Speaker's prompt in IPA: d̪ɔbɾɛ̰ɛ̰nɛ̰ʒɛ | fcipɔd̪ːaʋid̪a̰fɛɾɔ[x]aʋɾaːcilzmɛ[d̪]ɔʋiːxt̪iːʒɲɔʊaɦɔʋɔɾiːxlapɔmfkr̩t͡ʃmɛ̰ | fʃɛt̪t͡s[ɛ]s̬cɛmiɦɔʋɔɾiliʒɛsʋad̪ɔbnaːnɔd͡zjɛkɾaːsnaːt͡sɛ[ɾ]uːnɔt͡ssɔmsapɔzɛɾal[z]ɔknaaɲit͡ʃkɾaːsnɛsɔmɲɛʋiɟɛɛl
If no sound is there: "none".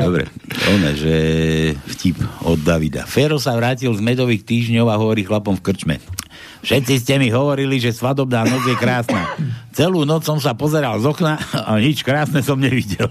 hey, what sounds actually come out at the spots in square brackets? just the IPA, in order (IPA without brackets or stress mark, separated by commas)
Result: s, d̪, i, l, z